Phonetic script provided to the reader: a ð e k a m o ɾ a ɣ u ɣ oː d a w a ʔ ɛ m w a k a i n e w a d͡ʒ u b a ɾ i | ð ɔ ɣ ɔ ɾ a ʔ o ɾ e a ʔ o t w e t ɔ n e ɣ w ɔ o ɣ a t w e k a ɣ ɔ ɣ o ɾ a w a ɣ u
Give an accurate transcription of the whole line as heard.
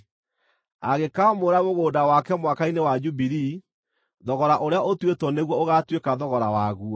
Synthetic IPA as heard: a ɣ e k a m o ɾ a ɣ o ɣ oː d a w a k ɛ m w a k a i n e w a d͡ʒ u b i ɾ i | ð ɔ ɣ ɔ ɾ a ʔ o ɾ e a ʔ o t w e t ɔ n e ɣ w ɔ o ɣ a t w e k a ð ɔ ɣ ɔ ɾ a w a ɣ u